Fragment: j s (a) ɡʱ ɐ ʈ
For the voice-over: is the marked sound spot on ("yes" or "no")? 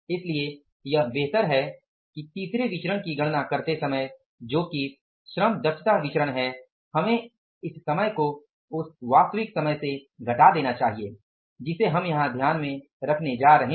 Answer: no